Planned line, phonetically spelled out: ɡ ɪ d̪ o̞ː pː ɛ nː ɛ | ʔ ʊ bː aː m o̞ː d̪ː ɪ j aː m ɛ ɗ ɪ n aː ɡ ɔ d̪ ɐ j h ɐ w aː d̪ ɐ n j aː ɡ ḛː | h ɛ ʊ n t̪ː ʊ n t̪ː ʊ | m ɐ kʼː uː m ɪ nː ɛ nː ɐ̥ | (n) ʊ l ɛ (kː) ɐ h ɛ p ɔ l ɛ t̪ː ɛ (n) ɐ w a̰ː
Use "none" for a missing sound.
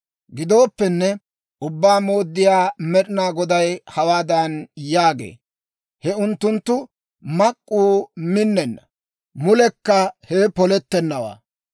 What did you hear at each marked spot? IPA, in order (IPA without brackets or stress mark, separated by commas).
m, kː, nː